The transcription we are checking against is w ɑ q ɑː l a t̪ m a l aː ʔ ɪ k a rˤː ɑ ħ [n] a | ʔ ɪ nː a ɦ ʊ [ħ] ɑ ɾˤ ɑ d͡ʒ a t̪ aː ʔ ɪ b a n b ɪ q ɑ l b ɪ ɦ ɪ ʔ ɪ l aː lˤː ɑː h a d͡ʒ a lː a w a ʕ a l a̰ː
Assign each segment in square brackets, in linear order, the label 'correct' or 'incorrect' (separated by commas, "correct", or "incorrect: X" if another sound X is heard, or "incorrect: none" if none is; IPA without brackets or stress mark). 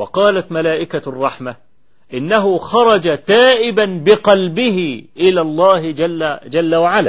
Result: incorrect: m, incorrect: x